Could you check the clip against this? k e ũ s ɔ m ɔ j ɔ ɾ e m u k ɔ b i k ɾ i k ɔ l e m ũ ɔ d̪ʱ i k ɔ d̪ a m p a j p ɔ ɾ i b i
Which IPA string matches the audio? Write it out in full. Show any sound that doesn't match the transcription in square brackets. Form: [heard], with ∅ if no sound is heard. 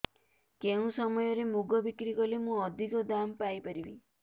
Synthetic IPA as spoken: k e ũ s ɔ m ɔ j ɔ ɾ e m u [ɡ] ɔ b i k ɾ i k ɔ l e m ũ ɔ d̪ʱ i k ɔ d̪ a m p a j p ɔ ɾ i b i

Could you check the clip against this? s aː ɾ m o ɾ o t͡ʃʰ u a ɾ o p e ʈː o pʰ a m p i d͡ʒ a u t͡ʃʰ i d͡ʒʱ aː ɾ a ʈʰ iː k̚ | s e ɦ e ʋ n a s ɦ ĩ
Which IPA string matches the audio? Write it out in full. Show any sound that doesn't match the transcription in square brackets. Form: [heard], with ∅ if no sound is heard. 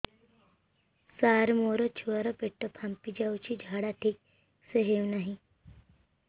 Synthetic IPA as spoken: s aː ɾ m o ɾ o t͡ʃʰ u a ɾ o p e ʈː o pʰ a m p i d͡ʒ a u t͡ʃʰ i d͡ʒʱ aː [ɽ] a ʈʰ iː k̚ | s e ɦ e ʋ n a [∅] ɦ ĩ

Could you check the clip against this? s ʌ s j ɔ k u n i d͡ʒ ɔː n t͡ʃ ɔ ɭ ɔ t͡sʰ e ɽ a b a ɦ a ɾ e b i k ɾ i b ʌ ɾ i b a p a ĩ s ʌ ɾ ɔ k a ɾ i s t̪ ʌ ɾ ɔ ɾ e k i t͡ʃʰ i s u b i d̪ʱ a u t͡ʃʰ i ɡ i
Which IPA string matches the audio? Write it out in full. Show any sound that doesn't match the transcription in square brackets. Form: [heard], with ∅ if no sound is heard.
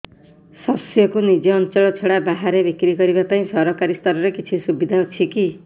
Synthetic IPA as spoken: s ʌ s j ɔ k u n i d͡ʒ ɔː n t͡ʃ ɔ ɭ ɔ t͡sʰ e ɽ a b a ɦ a ɾ e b i k ɾ i [ɡ] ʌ ɾ i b a p a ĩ s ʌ ɾ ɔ k a ɾ i s t̪ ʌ ɾ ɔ ɾ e k i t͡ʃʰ i s u b i d̪ʱ a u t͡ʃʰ i [k] i

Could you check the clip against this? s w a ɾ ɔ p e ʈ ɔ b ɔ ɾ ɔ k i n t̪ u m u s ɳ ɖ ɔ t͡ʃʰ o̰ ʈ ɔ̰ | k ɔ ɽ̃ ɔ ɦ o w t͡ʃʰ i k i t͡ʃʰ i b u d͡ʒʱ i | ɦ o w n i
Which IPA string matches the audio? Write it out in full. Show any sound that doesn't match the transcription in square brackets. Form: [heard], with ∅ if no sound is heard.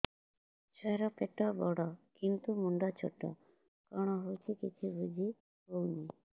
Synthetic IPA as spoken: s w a ɾ ɔ p e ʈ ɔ b ɔ [ɽ] ɔ k i n t̪ u m u [∅] ɳ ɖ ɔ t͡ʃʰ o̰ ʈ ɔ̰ | k ɔ ɽ̃ ɔ ɦ o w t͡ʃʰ i k i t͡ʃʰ i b u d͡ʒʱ i | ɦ o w n i

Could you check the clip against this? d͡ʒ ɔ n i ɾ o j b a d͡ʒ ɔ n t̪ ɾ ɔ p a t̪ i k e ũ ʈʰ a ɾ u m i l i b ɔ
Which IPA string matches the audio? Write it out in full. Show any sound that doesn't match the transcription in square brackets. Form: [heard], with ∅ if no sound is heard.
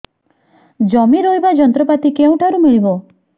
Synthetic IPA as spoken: d͡ʒ ɔ [m] i ɾ o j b a d͡ʒ ɔ n t̪ ɾ ɔ p a t̪ i k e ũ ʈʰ a ɾ u m i [ɭ] i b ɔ

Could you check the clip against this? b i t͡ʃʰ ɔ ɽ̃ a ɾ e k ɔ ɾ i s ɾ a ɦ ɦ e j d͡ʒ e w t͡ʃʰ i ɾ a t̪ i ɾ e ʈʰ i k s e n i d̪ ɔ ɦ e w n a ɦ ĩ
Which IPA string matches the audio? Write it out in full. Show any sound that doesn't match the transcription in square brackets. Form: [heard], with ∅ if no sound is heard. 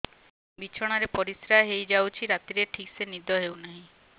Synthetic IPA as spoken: b i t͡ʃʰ ɔ ɽ̃ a ɾ e [p] ɔ ɾ i s ɾ a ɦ ɦ e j d͡ʒ [a] w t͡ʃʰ i ɾ a t̪ i ɾ e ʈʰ i k s e n i d̪ ɔ ɦ e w n a ɦ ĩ

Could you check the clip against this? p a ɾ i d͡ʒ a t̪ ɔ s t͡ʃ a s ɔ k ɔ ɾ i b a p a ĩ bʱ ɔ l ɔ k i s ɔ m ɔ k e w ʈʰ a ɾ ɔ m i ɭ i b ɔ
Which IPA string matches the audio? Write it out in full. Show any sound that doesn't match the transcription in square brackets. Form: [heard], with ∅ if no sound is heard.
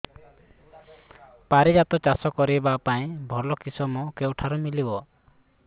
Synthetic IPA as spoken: p a ɾ i d͡ʒ a t̪ ɔ [∅] t͡ʃ a s ɔ k ɔ ɾ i b a p a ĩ bʱ ɔ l ɔ k i s ɔ m ɔ k e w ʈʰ a ɾ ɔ m i [l] i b ɔ

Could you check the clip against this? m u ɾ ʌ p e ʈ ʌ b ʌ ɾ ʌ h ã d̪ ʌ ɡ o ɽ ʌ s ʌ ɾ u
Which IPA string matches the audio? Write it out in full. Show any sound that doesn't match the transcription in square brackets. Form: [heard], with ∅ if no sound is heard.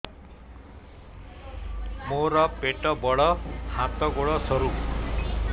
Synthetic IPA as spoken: m [o] ɾ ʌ p e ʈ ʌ b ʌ [ɽ] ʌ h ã [t̪] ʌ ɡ o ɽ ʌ s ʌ ɾ u

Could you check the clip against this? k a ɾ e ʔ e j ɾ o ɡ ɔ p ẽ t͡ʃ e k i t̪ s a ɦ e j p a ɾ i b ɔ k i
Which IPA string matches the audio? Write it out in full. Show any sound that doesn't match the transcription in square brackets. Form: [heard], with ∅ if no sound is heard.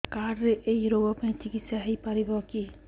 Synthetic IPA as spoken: k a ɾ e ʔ e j ɾ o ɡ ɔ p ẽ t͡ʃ [i] k i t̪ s a ɦ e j p a ɾ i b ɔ k i

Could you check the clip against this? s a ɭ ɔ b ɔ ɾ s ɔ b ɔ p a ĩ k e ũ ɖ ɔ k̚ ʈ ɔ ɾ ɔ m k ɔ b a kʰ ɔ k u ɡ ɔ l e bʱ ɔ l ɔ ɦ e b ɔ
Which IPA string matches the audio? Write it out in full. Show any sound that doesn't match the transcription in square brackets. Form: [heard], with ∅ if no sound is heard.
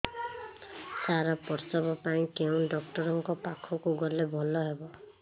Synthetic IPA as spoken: s a [ɾ] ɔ [p] ɔ ɾ s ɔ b ɔ p a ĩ k e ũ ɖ ɔ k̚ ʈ ɔ ɾ ɔ [ŋ] k ɔ [p] a kʰ ɔ k u ɡ ɔ l e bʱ ɔ l ɔ ɦ e b ɔ

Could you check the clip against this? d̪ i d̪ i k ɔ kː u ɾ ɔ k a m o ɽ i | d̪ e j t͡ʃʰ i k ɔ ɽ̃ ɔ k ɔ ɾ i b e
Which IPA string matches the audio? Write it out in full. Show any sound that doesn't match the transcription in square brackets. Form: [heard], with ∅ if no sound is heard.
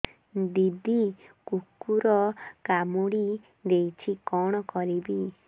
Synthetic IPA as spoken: d̪ i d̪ i k [u] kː u ɾ ɔ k a m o ɽ i | d̪ e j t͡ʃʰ i k ɔ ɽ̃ ɔ k ɔ ɾ i b [i]

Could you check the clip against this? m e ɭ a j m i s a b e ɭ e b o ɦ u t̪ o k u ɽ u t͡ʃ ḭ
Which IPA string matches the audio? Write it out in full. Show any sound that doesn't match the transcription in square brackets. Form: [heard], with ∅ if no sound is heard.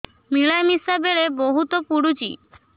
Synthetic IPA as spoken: m [i] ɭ a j m i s a b e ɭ e b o ɦ u t̪ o [p] u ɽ u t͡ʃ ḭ

